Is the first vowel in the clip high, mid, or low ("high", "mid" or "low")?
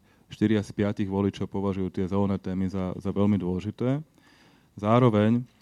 high